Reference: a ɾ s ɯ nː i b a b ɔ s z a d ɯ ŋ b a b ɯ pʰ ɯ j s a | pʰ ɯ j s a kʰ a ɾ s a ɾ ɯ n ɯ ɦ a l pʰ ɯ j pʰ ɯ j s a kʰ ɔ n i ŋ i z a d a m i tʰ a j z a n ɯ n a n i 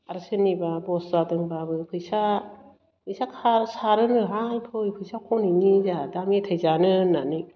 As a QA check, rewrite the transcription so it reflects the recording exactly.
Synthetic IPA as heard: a ɾ s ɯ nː i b a b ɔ s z a d ɯ ŋ b a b ɯ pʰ ɯ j s a | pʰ ɯ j s a kʰ a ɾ s a ɾ ɯ n ɯ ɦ a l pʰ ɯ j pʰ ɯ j s a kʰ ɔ n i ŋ i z a d a m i tʰ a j z a n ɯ n a n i